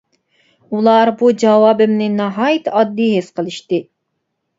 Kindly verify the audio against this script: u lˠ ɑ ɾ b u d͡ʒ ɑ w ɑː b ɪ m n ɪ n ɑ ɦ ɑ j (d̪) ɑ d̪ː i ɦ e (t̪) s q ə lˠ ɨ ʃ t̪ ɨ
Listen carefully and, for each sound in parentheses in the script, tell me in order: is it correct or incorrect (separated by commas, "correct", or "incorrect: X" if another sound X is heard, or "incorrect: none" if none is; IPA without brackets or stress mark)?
incorrect: t̪, incorrect: none